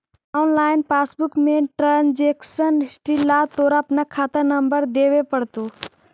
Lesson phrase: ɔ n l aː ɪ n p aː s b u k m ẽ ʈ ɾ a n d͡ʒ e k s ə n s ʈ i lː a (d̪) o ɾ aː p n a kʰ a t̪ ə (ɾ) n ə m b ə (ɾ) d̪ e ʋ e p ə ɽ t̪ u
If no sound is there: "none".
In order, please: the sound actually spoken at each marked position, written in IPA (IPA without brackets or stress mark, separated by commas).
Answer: t̪, ɾ, ɾ